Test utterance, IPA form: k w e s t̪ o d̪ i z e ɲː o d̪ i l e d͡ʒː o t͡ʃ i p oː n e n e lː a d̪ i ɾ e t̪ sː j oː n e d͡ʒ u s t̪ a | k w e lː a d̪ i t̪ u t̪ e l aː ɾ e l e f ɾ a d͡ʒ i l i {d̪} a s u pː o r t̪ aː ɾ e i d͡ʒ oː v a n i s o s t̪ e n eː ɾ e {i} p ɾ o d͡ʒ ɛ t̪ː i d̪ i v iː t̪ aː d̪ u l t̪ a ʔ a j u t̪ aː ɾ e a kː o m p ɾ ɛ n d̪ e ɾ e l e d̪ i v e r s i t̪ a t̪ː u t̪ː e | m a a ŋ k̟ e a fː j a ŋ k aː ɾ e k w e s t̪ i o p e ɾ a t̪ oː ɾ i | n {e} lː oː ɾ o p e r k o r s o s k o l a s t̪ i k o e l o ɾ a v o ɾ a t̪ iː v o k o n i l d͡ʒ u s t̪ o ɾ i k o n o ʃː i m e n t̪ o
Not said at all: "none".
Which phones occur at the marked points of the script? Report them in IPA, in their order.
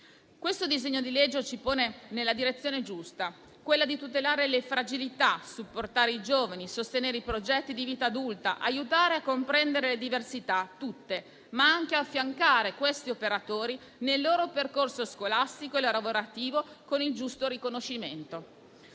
t̪, i, e

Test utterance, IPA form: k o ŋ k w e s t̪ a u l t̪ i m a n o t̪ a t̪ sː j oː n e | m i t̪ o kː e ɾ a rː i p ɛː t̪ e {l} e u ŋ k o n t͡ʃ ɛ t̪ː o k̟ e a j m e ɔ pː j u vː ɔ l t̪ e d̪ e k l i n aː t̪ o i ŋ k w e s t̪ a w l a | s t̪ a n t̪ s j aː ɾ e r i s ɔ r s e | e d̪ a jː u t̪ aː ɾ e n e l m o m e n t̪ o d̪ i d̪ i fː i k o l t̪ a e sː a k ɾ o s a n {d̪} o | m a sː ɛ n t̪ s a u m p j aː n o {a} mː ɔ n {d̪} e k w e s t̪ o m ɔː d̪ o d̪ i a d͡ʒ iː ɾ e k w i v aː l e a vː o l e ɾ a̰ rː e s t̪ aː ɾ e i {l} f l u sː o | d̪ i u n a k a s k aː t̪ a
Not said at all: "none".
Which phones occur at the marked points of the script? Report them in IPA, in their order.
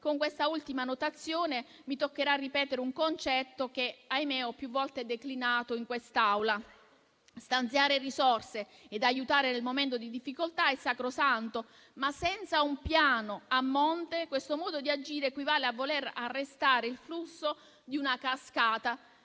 ɾ, t̪, a, t̪, l

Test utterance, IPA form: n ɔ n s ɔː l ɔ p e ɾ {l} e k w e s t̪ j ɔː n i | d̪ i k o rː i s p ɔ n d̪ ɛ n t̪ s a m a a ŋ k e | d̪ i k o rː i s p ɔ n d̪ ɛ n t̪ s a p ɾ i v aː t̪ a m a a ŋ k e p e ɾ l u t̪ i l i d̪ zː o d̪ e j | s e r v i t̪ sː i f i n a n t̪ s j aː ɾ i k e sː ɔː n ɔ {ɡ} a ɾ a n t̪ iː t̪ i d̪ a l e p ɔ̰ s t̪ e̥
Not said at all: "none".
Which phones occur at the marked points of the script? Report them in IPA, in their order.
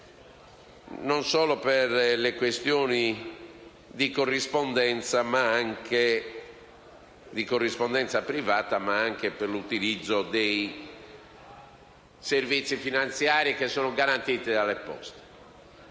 l, ɡ

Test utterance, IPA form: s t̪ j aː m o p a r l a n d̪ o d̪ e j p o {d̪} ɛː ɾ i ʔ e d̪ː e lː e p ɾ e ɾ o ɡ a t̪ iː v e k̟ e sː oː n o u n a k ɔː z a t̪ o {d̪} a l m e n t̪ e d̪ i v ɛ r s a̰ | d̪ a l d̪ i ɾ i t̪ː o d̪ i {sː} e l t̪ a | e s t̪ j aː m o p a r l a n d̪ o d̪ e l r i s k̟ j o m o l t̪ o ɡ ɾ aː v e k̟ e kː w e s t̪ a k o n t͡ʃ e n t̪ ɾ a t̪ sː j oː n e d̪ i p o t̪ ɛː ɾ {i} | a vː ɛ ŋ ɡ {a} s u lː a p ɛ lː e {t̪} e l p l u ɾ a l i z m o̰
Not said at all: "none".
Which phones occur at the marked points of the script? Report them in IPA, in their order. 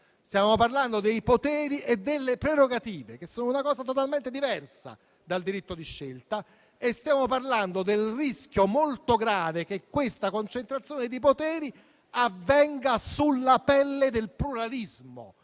t̪, t̪, ʃː, i, a, d̪

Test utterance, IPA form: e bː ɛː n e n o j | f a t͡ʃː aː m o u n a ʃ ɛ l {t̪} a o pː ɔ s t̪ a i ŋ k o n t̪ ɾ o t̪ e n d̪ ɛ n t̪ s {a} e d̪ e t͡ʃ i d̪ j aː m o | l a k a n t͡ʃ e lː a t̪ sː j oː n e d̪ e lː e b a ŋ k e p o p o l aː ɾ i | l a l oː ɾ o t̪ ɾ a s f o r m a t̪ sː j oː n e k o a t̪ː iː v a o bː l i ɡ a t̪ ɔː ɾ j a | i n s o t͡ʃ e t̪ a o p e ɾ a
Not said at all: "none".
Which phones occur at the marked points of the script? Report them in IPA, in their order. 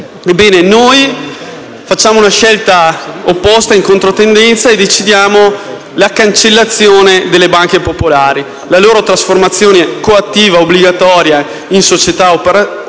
t̪, a

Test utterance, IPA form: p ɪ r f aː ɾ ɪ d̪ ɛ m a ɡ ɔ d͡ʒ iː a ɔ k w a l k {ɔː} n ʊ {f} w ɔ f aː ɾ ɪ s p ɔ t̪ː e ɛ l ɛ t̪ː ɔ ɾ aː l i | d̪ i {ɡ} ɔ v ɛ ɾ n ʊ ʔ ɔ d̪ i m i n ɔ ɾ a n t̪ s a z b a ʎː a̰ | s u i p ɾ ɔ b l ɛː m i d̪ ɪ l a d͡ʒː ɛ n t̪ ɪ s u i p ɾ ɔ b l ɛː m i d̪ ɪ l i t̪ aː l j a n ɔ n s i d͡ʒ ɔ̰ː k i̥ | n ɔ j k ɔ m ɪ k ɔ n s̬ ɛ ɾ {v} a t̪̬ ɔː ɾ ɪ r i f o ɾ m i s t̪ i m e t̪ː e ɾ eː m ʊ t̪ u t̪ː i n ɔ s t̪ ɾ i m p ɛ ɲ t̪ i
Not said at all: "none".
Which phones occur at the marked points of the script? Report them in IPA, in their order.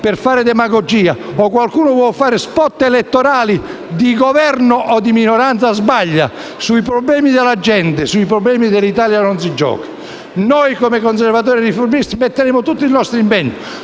uː, v, ɡ, v

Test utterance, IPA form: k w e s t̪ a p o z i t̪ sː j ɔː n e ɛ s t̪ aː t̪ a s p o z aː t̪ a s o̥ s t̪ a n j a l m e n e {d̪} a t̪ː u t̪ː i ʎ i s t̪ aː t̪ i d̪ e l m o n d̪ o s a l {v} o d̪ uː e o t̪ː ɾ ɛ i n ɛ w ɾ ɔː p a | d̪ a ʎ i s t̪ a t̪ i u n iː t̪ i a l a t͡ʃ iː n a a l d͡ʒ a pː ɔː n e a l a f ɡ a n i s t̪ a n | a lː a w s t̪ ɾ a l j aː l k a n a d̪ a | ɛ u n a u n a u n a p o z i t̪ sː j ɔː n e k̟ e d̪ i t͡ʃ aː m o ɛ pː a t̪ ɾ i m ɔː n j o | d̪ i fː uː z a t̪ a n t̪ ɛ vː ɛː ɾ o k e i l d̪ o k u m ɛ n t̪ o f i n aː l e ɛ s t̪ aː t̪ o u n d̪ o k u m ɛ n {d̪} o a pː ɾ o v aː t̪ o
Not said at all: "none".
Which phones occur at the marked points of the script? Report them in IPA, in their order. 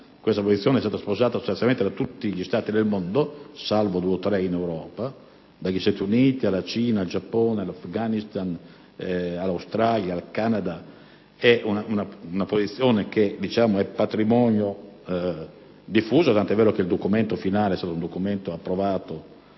d̪, v, t̪

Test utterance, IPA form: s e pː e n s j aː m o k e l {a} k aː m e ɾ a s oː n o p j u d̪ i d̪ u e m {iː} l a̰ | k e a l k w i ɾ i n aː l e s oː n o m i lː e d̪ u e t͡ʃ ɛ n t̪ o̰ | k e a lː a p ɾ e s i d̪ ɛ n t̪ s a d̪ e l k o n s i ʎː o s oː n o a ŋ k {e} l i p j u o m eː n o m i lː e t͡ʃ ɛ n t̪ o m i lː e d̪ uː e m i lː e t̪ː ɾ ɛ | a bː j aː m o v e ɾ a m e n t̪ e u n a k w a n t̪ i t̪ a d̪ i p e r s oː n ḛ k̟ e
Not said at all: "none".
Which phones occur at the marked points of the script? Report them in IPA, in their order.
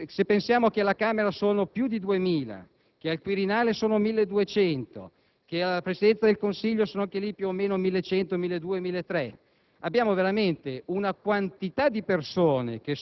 a, iː, e

